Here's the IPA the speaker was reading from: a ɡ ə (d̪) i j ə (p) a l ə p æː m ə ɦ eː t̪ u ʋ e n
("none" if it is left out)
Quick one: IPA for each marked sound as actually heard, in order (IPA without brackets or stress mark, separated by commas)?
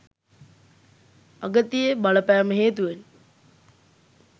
t̪, b